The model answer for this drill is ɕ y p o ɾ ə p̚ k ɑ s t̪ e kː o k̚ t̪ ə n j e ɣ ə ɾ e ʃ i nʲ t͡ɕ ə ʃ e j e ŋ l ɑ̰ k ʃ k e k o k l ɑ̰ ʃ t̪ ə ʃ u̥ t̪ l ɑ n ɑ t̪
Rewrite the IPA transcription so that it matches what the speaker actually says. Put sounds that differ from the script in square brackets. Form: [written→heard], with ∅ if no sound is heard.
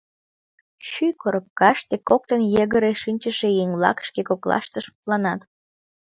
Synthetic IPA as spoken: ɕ y [p→k] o ɾ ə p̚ k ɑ [s→ʃ] t̪ e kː o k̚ t̪ ə n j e ɣ ə ɾ e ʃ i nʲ t͡ɕ ə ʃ e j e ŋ l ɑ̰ k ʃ k e k o k l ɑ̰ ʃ t̪ ə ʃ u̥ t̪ l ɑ n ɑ t̪